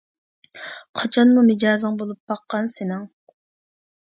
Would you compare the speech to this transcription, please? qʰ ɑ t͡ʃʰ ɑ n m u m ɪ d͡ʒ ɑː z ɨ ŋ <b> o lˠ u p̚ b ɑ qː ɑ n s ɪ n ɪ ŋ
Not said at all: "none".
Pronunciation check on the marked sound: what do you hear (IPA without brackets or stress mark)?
b